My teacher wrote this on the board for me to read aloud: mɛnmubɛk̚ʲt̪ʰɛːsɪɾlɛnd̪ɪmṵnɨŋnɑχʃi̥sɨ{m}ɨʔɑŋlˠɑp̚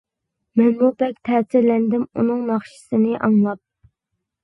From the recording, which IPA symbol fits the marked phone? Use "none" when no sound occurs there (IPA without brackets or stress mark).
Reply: n